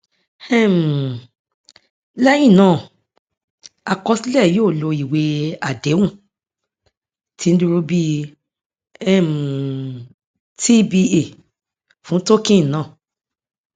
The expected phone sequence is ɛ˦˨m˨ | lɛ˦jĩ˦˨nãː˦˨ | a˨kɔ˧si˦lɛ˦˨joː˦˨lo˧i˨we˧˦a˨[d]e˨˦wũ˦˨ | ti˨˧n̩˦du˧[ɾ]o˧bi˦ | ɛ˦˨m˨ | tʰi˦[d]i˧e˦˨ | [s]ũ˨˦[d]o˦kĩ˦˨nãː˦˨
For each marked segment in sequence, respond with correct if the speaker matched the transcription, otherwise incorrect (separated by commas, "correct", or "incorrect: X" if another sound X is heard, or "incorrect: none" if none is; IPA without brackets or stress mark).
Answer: correct, correct, incorrect: b, incorrect: f, incorrect: t